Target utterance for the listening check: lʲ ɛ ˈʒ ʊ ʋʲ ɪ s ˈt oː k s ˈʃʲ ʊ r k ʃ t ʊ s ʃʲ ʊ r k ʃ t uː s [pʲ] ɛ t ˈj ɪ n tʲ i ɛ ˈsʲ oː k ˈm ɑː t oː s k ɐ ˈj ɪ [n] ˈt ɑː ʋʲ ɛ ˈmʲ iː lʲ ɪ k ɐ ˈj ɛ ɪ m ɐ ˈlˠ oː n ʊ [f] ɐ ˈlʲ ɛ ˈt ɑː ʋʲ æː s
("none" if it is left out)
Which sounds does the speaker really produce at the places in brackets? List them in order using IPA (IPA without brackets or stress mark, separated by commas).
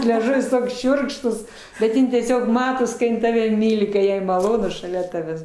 bʲ, n, ʃ